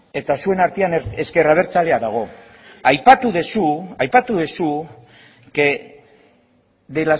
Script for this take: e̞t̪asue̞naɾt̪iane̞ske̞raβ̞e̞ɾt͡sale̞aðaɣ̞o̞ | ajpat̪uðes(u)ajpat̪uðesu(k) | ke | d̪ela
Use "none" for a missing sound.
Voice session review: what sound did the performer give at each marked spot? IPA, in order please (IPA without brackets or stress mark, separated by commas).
u, none